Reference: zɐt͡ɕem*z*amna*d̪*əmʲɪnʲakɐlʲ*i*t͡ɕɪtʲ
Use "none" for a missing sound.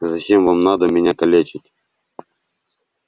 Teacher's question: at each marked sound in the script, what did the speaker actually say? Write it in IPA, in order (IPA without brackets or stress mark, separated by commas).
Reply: v, d̪, e